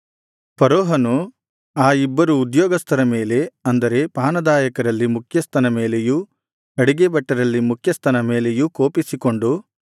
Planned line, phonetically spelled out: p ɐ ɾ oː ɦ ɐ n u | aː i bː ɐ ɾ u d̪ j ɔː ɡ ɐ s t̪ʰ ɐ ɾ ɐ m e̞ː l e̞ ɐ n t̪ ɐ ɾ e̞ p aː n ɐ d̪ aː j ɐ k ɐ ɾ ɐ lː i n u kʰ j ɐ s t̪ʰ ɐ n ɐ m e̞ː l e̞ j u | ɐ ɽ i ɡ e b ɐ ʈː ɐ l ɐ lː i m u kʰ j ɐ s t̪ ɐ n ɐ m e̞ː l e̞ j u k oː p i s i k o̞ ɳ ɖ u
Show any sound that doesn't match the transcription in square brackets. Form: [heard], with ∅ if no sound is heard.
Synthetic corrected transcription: p ɐ ɾ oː ɦ ɐ n u | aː i bː ɐ ɾ [uː] d̪ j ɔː ɡ ɐ s t̪ʰ ɐ ɾ ɐ m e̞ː l e̞ ɐ n [d̪] ɐ ɾ e̞ p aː n ɐ d̪ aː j ɐ k ɐ ɾ ɐ lː i [m] u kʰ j ɐ s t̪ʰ ɐ n ɐ m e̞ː l e̞ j u | ɐ ɽ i ɡ e b ɐ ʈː ɐ [ɾ] ɐ lː i m u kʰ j ɐ s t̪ ɐ n ɐ m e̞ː l e̞ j u k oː p i s i k o̞ ɳ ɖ u